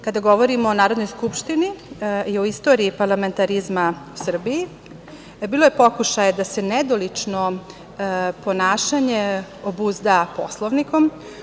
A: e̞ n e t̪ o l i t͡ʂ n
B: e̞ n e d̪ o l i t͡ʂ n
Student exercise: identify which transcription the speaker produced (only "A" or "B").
B